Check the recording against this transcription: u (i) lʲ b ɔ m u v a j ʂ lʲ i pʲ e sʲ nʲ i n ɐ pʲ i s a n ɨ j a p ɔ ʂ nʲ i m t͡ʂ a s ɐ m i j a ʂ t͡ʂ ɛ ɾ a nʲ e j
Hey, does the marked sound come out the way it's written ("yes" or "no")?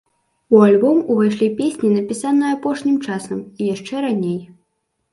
no